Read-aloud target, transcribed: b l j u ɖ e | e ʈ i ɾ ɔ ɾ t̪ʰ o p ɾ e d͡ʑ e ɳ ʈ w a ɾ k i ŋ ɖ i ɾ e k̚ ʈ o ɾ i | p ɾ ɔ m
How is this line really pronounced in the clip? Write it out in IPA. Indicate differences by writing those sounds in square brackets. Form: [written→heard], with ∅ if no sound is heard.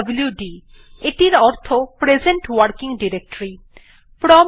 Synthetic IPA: b l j u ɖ [e→i] | e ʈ i ɾ ɔ ɾ t̪ʰ o p ɾ e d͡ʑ e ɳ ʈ w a ɾ k i ŋ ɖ i ɾ e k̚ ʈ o ɾ i | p ɾ ɔ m